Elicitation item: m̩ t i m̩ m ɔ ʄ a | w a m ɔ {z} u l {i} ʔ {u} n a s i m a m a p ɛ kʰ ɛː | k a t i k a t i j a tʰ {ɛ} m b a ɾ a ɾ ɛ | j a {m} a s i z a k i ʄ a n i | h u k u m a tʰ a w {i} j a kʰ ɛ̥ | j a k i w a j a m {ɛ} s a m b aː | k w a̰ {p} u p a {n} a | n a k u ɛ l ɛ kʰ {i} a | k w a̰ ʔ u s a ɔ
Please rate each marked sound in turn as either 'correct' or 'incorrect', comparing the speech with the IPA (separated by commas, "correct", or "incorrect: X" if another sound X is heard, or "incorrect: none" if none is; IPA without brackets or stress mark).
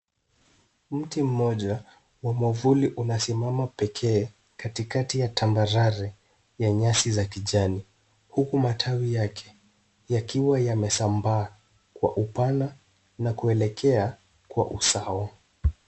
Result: incorrect: v, correct, correct, incorrect: a, incorrect: ɲ, correct, correct, incorrect: ʔ, correct, incorrect: ɛ